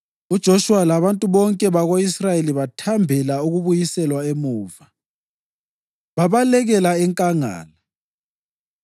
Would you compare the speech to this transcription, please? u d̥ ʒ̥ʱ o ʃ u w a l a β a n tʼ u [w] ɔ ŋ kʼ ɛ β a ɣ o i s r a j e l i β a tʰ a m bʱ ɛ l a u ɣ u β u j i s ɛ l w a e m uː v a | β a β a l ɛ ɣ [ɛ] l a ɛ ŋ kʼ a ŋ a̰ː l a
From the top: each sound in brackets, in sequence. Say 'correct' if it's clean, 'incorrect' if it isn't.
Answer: incorrect, correct

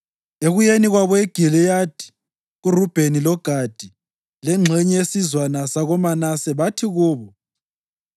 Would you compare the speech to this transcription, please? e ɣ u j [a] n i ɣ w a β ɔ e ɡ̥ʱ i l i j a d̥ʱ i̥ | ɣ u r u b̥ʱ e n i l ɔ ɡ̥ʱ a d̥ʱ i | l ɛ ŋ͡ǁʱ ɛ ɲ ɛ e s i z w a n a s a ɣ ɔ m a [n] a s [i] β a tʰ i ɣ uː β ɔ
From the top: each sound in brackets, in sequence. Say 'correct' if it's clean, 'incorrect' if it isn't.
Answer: incorrect, correct, incorrect

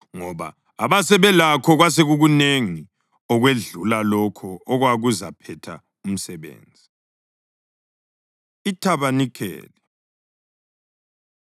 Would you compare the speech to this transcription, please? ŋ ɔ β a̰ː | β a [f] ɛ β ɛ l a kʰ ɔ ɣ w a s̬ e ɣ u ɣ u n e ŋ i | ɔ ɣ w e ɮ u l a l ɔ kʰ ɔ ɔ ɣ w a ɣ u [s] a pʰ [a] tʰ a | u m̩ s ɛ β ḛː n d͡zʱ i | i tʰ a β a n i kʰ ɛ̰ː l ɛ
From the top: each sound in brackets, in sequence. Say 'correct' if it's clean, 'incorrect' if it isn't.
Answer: incorrect, incorrect, incorrect

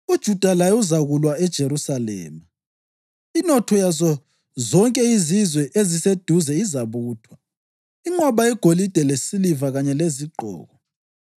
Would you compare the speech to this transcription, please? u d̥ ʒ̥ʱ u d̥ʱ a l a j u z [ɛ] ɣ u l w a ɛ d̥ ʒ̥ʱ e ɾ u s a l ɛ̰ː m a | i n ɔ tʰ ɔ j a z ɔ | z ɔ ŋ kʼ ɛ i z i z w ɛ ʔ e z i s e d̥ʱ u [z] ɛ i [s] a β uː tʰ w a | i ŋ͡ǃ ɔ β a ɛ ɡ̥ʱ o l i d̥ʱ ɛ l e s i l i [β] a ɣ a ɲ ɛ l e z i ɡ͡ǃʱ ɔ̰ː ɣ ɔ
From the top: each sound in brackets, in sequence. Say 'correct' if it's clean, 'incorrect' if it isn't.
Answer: incorrect, correct, incorrect, incorrect

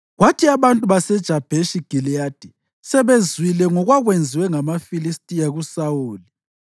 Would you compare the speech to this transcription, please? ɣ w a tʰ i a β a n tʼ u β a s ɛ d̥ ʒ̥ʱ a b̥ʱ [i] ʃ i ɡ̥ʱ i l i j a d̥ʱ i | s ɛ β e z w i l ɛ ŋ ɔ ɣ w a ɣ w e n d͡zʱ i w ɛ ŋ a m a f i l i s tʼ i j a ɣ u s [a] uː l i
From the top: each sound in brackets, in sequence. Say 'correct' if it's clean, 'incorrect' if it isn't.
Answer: incorrect, correct

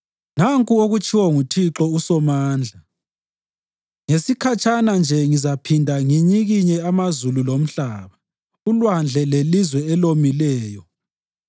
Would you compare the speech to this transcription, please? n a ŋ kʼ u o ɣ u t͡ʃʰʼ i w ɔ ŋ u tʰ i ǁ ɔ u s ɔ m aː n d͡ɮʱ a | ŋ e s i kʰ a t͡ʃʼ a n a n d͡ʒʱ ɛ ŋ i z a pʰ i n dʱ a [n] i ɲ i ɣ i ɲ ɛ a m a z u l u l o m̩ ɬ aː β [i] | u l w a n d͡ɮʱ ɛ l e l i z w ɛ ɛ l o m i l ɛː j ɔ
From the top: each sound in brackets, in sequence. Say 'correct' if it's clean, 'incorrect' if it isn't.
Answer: incorrect, incorrect

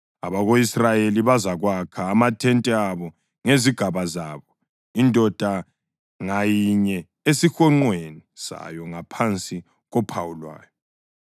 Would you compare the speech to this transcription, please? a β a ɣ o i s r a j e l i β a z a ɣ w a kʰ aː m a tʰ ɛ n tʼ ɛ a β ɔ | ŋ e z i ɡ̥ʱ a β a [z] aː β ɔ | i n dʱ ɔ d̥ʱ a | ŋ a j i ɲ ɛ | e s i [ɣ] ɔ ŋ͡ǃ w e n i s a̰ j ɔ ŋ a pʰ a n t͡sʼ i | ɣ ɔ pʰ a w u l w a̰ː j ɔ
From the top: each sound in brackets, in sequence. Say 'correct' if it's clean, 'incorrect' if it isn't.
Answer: correct, incorrect

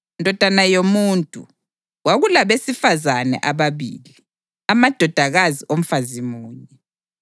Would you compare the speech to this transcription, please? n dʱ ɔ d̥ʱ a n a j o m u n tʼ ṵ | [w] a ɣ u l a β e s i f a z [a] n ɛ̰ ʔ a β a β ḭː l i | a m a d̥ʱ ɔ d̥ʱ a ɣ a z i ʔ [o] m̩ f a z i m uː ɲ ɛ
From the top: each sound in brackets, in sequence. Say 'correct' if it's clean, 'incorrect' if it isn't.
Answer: correct, correct, correct

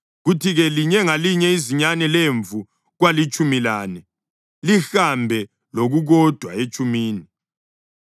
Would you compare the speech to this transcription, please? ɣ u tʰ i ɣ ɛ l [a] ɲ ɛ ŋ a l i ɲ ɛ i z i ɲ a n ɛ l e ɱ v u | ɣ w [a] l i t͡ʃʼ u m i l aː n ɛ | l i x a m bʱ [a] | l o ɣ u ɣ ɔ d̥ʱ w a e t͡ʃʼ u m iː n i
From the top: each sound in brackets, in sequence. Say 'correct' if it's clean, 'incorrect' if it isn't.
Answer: incorrect, correct, incorrect

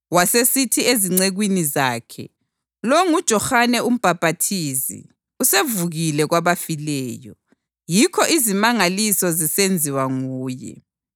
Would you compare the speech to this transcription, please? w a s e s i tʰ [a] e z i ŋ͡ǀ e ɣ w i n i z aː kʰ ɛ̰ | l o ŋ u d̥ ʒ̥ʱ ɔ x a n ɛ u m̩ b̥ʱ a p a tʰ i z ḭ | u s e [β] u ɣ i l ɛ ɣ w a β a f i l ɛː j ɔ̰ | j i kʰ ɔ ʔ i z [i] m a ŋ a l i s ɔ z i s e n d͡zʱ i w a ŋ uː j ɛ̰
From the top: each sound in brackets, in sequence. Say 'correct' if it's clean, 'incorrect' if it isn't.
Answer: incorrect, incorrect, correct

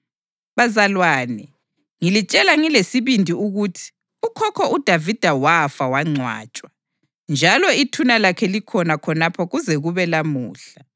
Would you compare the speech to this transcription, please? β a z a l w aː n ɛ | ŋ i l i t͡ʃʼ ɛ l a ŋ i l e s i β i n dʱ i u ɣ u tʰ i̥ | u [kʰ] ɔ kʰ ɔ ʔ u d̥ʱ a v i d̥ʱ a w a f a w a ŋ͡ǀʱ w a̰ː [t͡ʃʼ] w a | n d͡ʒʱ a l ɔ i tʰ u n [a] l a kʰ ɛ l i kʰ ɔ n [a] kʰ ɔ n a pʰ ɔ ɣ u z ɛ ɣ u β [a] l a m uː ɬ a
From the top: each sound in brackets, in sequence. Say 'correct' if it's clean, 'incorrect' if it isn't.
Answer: correct, correct, correct, correct, incorrect

